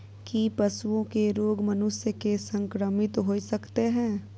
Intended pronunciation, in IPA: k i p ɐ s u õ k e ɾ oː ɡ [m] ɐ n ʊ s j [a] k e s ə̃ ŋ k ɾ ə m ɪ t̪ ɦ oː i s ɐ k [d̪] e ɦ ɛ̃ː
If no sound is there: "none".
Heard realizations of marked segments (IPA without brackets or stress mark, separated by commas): m, ə, t̪